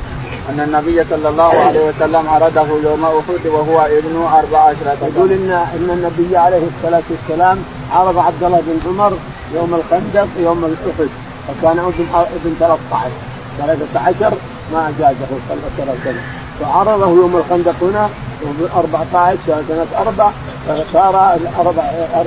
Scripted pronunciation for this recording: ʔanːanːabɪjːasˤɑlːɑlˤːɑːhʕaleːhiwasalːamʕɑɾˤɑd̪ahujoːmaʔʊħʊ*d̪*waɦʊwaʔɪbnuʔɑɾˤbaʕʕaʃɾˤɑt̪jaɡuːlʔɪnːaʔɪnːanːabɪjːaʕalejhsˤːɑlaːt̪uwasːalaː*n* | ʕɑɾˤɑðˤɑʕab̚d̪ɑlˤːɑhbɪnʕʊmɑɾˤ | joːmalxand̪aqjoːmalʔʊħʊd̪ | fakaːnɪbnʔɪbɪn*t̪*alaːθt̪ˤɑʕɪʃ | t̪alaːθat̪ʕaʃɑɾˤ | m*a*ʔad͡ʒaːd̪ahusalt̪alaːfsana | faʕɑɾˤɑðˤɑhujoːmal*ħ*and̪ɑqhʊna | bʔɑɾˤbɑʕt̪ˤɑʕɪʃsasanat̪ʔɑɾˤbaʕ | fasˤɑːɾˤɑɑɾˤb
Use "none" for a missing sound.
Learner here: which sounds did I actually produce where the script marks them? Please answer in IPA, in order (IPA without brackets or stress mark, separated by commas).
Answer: d̪, m, t̪, a, x